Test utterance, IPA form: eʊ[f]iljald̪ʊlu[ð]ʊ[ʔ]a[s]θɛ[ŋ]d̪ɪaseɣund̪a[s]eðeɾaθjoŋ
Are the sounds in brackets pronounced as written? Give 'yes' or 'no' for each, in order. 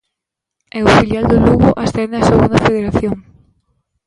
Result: yes, no, yes, yes, no, no

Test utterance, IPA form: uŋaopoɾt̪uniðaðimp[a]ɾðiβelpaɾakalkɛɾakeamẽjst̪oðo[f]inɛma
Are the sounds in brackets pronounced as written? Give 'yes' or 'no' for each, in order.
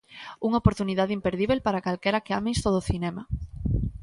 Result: no, no

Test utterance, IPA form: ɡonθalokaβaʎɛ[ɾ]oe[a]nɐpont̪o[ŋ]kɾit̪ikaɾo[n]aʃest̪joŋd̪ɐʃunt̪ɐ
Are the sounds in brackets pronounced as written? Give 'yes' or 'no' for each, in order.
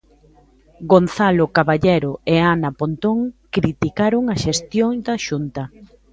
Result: yes, yes, yes, no

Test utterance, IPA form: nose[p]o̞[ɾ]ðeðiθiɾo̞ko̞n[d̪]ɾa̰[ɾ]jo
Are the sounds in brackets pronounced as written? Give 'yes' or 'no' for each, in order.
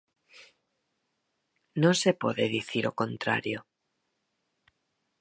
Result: yes, no, no, yes

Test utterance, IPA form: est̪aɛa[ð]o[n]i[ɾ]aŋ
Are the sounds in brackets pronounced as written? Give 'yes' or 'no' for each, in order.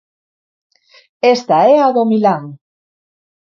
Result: yes, no, no

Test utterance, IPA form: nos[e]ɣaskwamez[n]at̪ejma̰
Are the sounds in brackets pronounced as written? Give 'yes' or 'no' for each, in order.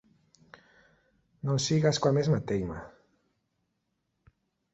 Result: no, no

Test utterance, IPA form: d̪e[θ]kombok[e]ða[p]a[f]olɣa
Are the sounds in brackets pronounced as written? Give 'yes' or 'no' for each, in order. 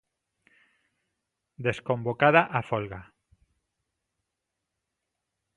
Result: no, no, no, yes

